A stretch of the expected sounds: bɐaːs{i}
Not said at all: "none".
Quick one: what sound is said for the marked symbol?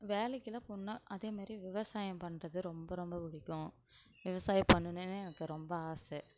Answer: ɛ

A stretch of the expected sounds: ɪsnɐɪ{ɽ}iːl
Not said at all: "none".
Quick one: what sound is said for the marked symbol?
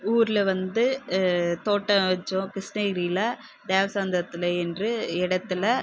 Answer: ɾ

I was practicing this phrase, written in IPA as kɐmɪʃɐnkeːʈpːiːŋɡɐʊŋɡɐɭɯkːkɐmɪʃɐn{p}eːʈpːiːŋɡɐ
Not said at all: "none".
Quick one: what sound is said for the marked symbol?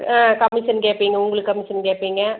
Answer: k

